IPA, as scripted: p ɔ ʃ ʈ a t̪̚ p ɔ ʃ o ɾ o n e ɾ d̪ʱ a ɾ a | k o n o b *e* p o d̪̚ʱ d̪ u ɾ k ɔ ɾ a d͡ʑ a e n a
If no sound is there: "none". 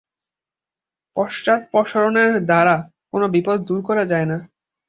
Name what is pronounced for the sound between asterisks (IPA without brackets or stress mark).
i